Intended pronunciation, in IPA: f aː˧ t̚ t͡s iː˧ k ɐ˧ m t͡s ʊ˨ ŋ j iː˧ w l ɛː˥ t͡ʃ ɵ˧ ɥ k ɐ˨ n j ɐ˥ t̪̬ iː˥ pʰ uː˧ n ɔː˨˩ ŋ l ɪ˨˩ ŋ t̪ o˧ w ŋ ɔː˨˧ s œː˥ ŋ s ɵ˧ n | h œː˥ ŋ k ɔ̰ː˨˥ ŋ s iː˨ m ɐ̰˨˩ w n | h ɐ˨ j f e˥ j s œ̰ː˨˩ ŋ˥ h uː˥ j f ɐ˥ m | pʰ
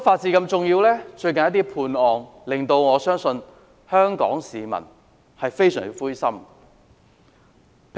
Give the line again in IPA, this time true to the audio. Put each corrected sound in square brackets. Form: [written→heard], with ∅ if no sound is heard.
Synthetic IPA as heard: f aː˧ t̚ t͡s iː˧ k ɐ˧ m t͡s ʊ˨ ŋ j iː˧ w l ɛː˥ t͡ʃ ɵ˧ ɥ k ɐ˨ n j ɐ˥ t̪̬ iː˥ pʰ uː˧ n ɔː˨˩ ŋ l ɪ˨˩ ŋ t̪ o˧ w ŋ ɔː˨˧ s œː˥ ŋ s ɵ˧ n | h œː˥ ŋ k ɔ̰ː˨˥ ŋ s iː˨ m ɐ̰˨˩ [w→∅] n | h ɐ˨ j f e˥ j s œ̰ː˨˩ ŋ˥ [h→f] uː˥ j [f→s] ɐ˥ m | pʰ